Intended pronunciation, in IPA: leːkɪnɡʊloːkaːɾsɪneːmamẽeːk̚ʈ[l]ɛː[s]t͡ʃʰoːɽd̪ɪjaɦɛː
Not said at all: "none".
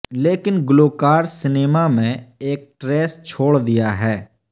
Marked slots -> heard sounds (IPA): ɾ, s

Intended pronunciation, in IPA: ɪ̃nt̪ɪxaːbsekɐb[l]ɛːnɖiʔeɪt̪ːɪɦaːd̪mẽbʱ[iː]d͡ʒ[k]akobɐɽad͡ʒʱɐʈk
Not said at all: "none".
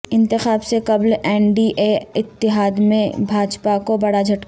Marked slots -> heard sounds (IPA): l, aː, p

